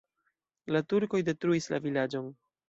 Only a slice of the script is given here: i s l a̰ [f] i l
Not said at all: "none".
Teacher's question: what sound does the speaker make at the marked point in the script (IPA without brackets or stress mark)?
v